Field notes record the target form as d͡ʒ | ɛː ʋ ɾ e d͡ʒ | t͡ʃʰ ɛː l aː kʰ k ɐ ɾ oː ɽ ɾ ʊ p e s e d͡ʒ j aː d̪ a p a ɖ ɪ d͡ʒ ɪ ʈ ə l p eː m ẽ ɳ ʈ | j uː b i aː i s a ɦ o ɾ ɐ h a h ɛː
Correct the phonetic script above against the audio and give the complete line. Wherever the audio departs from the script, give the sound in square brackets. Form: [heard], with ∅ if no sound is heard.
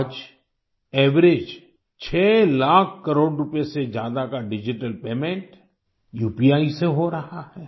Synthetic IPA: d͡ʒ | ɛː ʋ ɾ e d͡ʒ | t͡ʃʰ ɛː l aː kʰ k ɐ ɾ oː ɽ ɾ ʊ p e s e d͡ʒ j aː d̪ a [k] a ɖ ɪ d͡ʒ ɪ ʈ ə l p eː m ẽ ɳ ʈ | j uː [p] i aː i s [e] ɦ o ɾ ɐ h a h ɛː

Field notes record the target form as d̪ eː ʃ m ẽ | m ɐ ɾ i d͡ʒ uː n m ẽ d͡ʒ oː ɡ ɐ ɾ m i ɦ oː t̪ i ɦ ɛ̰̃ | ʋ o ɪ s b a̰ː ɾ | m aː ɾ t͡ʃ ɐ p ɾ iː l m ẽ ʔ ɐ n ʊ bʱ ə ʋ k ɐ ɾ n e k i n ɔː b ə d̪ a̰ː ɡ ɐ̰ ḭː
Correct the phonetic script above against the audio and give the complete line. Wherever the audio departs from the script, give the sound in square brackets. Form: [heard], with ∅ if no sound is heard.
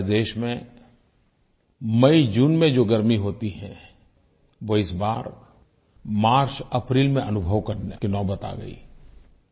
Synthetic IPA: d̪ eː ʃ m ẽ | m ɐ [∅] i d͡ʒ uː n m ẽ d͡ʒ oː ɡ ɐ ɾ m i ɦ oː t̪ i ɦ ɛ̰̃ | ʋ o ɪ s b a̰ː ɾ | m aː ɾ t͡ʃ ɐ p ɾ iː l m ẽ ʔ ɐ n ʊ bʱ ə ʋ k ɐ ɾ n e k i n ɔː b ə [t̪] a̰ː ɡ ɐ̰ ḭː

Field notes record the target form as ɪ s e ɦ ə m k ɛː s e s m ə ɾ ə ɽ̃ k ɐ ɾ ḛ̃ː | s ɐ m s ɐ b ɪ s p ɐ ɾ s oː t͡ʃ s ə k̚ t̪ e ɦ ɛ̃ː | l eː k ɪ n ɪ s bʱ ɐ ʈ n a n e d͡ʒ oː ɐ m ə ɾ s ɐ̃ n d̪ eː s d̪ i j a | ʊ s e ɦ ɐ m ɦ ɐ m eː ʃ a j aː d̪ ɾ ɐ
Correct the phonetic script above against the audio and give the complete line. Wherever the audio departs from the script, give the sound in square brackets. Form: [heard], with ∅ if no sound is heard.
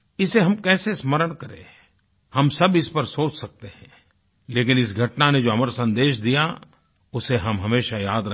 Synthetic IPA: ɪ s e ɦ [ɐ] m k ɛː s e s m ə ɾ ə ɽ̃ k ɐ ɾ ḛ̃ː | [h] ɐ m s ɐ b ɪ s p ɐ ɾ s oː t͡ʃ s [ɐ] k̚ t̪ e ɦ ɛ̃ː | l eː k ɪ n ɪ s [ɡʱ] ɐ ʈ n a n e d͡ʒ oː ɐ m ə ɾ s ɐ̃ n d̪ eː [ʃ] d̪ i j a | ʊ s e ɦ ɐ m ɦ ɐ m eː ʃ a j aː d̪ ɾ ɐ

